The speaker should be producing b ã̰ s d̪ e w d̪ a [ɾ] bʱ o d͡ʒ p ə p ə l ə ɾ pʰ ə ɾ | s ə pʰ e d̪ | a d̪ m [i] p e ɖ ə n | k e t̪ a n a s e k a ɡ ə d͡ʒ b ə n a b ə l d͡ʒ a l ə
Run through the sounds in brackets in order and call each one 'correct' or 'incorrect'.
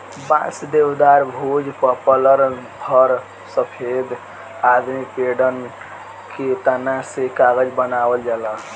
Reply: correct, correct

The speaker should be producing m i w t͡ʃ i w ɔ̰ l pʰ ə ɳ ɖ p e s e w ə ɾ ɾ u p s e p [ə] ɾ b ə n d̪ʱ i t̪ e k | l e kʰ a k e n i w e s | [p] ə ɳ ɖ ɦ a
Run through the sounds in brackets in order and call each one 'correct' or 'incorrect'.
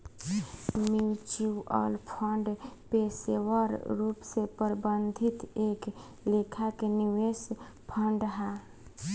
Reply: correct, incorrect

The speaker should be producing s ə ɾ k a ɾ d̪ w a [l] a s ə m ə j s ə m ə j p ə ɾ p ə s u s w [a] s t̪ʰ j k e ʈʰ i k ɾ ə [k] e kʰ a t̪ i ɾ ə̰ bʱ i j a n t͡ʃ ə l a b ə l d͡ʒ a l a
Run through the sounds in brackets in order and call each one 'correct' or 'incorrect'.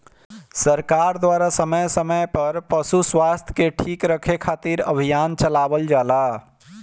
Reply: incorrect, correct, incorrect

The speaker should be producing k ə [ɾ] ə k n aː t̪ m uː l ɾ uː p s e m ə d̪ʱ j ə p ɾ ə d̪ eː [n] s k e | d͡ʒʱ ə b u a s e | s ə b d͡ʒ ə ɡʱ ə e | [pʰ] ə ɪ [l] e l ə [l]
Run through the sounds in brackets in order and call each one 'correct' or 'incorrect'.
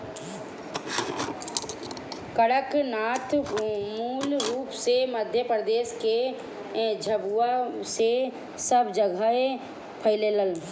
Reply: incorrect, incorrect, correct, correct, correct

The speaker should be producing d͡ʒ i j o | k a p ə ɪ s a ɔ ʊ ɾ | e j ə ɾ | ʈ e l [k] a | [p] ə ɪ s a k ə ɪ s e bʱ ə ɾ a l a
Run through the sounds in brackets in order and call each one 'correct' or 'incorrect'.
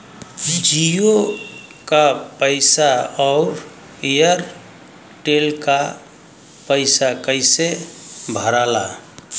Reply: correct, correct

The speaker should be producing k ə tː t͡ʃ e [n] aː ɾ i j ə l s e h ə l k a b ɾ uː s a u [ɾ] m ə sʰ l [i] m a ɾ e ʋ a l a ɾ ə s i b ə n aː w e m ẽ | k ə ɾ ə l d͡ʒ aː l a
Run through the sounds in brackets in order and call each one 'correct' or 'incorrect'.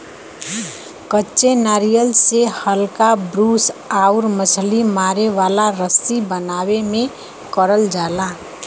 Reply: correct, correct, correct

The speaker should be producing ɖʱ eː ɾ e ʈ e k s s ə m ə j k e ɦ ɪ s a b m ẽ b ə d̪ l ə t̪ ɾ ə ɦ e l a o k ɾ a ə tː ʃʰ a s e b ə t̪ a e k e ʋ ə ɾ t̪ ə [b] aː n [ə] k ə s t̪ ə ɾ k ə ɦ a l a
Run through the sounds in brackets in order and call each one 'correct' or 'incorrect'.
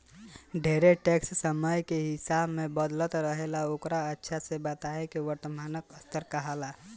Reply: incorrect, correct

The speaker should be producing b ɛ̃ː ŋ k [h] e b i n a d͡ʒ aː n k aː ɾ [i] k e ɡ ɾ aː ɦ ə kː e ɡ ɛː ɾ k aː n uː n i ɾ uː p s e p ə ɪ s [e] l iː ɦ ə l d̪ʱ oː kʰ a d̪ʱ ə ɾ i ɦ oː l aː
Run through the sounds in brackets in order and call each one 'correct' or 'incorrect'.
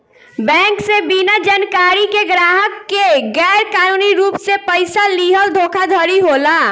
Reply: incorrect, correct, incorrect

